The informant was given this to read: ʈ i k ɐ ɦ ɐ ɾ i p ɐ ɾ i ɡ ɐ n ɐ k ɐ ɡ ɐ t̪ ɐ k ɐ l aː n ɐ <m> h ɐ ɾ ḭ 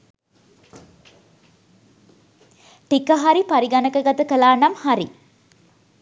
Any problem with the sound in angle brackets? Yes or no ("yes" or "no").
no